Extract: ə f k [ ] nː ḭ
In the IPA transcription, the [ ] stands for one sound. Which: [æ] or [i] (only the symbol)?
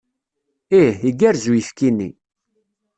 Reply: i